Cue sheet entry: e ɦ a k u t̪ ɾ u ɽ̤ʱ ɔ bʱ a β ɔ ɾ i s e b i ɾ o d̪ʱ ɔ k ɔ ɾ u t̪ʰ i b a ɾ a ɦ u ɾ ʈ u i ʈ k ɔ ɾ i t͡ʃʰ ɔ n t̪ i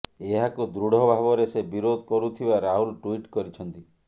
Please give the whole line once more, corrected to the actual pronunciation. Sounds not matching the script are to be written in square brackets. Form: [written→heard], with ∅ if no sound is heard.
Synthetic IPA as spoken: e ɦ a k u [t̪→d̪] ɾ u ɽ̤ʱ ɔ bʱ a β ɔ ɾ [i→e] s e b i ɾ o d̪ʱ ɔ k ɔ ɾ u t̪ʰ i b a ɾ a ɦ u [ɾ→l] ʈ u i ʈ k ɔ ɾ i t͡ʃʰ ɔ n t̪ i